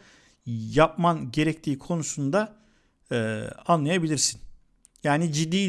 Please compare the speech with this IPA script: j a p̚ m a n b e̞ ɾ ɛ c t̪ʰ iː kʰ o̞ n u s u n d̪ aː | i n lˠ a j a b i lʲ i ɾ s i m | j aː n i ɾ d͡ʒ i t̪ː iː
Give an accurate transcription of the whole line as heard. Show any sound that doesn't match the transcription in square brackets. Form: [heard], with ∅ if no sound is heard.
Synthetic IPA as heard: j a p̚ m a n [ɟ] e̞ ɾ ɛ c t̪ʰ iː kʰ o̞ n u s u n d̪ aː | [a] n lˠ a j a b i lʲ i ɾ s i [n] | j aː n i [∅] d͡ʒ i [d̪ː] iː